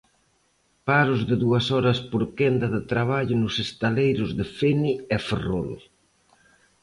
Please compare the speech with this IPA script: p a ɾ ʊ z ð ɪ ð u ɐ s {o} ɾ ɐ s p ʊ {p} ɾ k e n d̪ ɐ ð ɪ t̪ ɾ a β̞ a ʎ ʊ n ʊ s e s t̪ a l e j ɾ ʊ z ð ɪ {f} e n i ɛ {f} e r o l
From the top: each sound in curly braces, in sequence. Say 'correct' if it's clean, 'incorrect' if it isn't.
incorrect: ɔ, incorrect: none, correct, correct

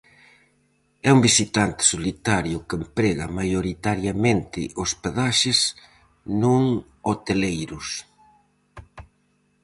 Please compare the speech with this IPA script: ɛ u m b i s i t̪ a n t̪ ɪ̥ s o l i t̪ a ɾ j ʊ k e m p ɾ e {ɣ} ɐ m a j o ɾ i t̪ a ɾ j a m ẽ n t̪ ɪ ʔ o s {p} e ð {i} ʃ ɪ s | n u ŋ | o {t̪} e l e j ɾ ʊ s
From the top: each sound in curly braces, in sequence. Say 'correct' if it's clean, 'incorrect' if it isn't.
correct, correct, incorrect: a, correct

